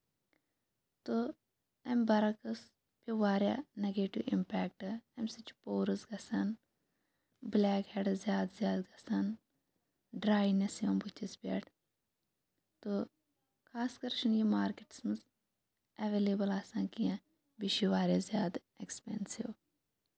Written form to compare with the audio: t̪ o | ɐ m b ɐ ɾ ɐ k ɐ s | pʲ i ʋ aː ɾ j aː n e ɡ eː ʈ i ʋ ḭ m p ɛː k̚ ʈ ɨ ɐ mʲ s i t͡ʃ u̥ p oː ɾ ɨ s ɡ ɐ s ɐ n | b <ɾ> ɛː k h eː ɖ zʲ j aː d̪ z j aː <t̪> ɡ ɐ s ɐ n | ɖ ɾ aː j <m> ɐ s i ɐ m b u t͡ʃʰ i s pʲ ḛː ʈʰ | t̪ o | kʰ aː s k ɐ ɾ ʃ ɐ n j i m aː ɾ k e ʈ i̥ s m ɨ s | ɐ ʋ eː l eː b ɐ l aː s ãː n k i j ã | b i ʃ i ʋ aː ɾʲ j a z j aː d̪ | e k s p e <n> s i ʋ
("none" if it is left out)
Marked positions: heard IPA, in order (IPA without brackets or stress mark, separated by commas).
l, d̪, n, n